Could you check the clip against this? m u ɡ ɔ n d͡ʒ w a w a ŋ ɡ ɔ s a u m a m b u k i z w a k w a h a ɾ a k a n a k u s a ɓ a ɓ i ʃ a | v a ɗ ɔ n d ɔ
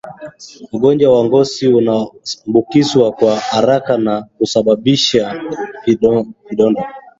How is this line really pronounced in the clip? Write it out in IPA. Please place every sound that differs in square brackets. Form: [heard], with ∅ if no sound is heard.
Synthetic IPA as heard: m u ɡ ɔ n d͡ʒ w a w a ŋ ɡ ɔ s [i] u [n] a m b u k i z w a k w a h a ɾ a k a n a k u s a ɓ a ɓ i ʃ a | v [i] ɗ ɔ n d ɔ